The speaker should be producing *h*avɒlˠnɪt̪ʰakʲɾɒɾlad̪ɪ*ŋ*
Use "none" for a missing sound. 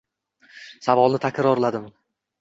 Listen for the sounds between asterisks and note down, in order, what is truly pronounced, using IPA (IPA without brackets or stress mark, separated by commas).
s, m